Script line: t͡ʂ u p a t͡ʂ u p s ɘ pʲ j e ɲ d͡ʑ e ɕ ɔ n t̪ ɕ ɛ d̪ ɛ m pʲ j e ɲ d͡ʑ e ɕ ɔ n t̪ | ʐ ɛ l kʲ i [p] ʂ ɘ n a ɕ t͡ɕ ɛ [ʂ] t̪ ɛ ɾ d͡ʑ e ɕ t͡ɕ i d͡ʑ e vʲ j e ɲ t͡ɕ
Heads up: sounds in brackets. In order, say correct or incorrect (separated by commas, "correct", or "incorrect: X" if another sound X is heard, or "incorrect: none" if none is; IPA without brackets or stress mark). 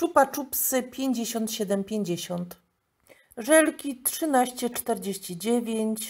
incorrect: t, incorrect: t͡ʂ